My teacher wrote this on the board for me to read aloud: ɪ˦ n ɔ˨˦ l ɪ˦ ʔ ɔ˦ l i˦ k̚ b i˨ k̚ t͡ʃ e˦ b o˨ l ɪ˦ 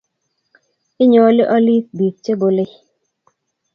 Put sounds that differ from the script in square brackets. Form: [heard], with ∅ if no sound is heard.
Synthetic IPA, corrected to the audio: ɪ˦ [ɲ] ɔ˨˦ l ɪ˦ ʔ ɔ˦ l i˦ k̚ b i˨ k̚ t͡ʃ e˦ b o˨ l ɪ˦